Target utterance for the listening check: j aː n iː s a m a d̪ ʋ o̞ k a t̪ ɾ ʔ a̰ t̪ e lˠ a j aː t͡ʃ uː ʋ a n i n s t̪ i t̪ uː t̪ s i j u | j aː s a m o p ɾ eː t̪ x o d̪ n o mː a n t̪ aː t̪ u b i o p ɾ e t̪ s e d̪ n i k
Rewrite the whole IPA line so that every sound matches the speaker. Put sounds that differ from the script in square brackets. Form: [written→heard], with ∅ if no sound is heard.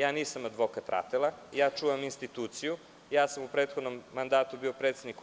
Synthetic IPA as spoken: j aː n iː s a m a d̪ ʋ o̞ k a t̪ ɾ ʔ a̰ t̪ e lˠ a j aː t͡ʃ uː ʋ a [n→m] i n s t̪ i t̪ uː t̪ s i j u | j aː s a m [o→u] p ɾ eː t̪ x o d̪ n o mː a n [t̪→d̪] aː t̪ u b i o p ɾ e t̪ s e d̪ n i k